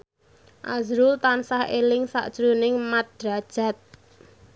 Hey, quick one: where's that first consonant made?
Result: throat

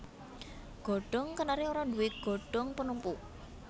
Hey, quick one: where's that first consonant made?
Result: velum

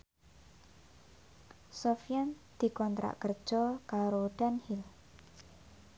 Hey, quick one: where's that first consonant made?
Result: tongue tip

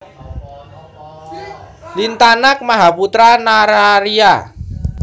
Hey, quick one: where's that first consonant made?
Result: tongue tip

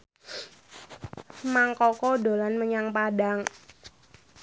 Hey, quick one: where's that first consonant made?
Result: lips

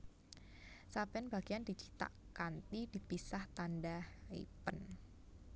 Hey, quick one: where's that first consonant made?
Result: tongue tip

